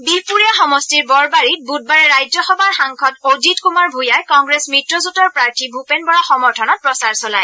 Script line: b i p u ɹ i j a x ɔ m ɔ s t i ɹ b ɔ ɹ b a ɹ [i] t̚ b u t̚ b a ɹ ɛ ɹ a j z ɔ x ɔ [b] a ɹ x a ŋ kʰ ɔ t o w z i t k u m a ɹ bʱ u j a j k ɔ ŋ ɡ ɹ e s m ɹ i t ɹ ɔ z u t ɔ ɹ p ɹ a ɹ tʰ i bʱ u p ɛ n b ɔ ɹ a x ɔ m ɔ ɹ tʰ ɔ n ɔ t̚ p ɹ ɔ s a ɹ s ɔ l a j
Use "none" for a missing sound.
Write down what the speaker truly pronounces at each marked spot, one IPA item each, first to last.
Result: i, b

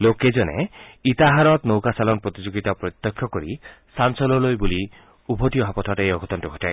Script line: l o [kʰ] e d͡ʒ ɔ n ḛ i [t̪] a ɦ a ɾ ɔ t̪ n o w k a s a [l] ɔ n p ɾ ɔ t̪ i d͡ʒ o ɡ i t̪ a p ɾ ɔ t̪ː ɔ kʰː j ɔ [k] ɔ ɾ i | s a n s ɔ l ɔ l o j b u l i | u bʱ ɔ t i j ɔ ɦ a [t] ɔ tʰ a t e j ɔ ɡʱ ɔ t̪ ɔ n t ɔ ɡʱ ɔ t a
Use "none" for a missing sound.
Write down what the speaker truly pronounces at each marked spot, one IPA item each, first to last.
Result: k, t̪, l, k, p

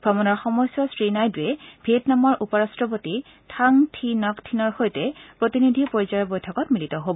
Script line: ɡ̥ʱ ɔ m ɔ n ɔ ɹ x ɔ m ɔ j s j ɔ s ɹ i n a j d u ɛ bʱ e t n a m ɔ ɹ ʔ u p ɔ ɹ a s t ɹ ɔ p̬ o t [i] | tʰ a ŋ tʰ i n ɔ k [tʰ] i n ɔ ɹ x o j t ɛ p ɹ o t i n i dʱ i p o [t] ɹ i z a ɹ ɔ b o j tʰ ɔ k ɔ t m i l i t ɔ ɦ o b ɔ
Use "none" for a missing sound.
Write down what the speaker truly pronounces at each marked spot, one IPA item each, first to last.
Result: i, tʰ, none

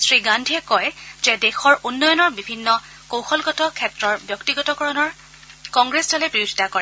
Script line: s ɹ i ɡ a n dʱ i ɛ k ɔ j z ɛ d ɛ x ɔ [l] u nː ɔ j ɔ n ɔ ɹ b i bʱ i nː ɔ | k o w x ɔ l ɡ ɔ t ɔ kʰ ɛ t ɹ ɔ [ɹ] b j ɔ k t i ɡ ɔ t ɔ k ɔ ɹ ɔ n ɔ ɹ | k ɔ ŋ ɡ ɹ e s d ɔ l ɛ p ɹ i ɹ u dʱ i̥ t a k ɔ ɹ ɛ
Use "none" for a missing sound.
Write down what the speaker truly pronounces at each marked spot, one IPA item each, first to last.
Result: ɹ, ɹ

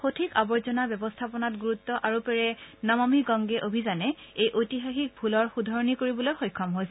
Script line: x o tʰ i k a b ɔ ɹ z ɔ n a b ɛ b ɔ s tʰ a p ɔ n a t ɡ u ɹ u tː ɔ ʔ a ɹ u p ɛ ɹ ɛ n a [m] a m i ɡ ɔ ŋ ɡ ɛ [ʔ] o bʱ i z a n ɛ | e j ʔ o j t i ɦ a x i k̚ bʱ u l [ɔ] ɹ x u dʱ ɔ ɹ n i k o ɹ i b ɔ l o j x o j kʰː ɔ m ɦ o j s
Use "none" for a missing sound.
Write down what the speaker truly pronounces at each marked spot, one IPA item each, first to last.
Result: m, ʔ, ɔ

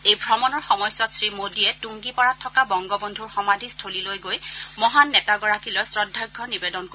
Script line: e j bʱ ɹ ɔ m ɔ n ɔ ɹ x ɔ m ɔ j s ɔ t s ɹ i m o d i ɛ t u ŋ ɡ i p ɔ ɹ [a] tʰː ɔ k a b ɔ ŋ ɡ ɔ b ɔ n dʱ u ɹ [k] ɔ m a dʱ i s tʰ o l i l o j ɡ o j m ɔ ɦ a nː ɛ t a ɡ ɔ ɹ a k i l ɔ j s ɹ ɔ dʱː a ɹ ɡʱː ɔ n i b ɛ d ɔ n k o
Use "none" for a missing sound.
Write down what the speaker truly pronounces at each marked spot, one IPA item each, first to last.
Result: a, x

